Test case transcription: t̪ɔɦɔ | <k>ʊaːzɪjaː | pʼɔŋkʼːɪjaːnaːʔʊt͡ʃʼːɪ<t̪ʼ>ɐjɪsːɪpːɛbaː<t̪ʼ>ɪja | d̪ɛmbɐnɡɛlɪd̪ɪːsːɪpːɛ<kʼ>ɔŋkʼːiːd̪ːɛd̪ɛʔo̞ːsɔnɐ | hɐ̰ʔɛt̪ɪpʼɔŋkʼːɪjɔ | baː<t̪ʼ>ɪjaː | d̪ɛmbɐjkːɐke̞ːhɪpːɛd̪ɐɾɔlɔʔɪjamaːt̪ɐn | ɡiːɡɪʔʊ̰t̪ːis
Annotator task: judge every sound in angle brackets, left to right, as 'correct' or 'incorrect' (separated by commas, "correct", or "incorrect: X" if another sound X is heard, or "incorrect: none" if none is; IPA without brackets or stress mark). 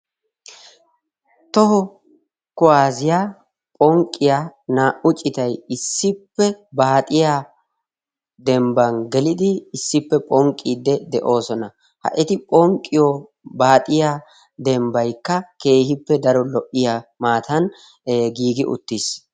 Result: correct, incorrect: t̪, correct, incorrect: pʼ, correct